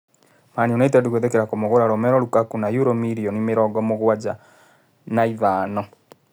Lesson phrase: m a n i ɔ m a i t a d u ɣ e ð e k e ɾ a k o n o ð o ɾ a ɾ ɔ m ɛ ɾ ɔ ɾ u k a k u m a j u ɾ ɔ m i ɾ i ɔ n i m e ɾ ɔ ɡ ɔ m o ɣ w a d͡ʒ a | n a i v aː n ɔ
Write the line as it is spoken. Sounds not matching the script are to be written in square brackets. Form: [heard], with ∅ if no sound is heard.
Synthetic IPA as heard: m a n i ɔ [n] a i t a d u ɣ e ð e k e ɾ a k o [m] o [ɣ] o ɾ a ɾ ɔ m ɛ ɾ ɔ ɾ u k a k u [n] a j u ɾ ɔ m i ɾ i ɔ n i m e ɾ ɔ ɡ ɔ m o ɣ w a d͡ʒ a | n a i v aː n ɔ